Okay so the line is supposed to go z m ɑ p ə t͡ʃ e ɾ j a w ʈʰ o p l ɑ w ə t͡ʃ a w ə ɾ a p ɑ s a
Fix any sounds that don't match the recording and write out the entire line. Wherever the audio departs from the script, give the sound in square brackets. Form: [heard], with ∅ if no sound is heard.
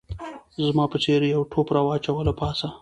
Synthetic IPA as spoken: z m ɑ p ə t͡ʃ e ɾ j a w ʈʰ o p [ɾ] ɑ w [ɑ] t͡ʃ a w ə [l] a p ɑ s a